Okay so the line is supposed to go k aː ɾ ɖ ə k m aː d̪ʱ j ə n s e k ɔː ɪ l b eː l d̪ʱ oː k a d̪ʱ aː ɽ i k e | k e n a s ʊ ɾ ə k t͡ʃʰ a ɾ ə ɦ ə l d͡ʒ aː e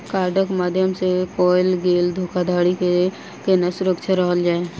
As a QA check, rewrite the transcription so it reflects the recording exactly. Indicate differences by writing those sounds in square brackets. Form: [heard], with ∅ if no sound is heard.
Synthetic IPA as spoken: k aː ɾ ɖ ə k m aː d̪ʱ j ə [m] s e k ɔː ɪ l [ɡ] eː l d̪ʱ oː k a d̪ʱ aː ɽ i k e | k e n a s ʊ ɾ ə k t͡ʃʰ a ɾ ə ɦ ə l d͡ʒ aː e